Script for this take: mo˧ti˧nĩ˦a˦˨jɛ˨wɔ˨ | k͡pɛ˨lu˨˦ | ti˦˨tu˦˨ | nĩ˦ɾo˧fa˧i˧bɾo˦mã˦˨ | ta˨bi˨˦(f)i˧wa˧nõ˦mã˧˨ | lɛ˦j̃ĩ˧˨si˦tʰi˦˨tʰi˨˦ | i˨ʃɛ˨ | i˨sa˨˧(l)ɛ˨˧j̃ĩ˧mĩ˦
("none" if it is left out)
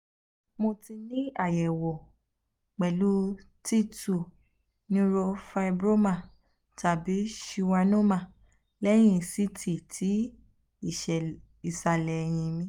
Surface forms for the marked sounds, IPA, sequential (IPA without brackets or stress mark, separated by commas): ʃ, l